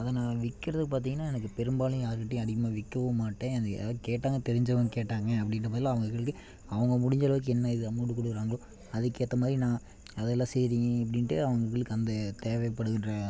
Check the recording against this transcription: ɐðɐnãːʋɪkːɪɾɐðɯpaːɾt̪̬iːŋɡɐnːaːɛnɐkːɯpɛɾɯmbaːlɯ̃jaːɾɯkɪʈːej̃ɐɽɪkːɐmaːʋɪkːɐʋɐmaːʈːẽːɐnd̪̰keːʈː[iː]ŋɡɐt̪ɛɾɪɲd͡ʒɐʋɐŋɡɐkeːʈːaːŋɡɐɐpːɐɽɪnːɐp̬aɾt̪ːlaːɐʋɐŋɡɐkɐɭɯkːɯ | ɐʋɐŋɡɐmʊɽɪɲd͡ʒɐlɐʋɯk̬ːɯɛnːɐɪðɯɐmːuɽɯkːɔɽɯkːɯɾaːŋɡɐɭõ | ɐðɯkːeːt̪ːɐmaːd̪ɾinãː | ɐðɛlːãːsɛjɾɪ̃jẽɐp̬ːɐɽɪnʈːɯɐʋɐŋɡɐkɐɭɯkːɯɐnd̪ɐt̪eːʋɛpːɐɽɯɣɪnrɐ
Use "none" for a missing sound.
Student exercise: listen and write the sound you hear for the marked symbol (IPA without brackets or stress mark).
aː